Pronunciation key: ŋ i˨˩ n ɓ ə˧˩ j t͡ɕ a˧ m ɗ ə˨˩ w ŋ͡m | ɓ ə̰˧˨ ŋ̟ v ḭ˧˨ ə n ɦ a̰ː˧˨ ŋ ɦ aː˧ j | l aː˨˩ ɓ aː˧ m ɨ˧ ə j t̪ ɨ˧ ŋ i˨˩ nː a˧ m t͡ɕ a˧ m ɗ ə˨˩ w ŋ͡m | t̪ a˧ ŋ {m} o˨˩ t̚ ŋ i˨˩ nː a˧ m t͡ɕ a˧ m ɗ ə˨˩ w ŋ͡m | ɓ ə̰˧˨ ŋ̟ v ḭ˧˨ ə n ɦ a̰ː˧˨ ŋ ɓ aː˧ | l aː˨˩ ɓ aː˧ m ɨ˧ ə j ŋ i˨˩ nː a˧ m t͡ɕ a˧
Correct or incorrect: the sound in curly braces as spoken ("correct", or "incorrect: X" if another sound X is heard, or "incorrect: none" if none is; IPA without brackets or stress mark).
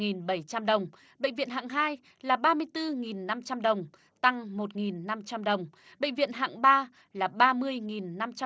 correct